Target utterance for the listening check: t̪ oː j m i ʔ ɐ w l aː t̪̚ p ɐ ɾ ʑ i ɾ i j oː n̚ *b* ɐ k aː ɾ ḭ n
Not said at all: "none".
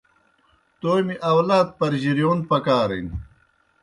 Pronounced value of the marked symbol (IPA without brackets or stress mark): p